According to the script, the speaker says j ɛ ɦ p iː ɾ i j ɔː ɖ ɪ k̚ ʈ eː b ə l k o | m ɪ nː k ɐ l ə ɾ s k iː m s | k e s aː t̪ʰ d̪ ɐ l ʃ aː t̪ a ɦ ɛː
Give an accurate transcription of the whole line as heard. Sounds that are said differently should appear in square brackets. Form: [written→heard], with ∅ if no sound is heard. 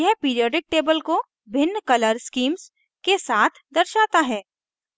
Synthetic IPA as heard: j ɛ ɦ p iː ɾ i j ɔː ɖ ɪ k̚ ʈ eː b ə l k o | [m→b] ɪ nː k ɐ l ə ɾ s k iː m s | k e s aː t̪ʰ d̪ ɐ [l→ɾ] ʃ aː t̪ a ɦ ɛː

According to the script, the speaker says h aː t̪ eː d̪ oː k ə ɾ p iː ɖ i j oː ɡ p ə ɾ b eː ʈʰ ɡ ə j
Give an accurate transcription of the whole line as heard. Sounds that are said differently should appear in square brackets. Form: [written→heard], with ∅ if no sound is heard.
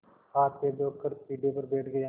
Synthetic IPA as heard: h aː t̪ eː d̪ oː k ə ɾ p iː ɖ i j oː [ɡ→∅] p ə ɾ b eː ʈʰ ɡ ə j

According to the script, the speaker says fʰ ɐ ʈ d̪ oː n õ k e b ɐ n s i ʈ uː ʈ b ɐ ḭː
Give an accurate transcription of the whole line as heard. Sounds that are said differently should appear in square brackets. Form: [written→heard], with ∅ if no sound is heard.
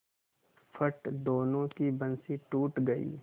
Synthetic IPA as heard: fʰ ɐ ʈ d̪ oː n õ k [e→i] b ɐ n s i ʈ uː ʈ [b→ɡ] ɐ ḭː

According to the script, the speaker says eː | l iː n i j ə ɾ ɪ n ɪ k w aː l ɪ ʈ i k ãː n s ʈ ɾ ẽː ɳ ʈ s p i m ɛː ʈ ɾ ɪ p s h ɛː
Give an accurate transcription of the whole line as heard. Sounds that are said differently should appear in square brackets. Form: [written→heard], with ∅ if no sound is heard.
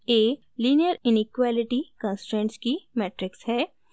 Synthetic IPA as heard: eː | l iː n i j ə ɾ ɪ n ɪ k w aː l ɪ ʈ i k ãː n s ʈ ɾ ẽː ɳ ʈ s [p→k] i m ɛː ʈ ɾ ɪ [p→k] s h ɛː

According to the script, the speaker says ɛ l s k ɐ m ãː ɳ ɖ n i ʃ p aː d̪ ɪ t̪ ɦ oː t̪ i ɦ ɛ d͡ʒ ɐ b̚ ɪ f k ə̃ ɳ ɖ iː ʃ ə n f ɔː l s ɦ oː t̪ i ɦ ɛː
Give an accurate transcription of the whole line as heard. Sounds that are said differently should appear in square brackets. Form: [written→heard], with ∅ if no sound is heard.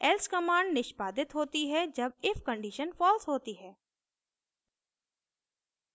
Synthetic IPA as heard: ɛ l s k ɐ m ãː ɳ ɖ n [i→ɪ] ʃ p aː d̪ ɪ t̪ ɦ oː t̪ i ɦ ɛ d͡ʒ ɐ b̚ ɪ f k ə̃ ɳ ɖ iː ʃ ə n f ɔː l s ɦ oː t̪ i ɦ ɛː

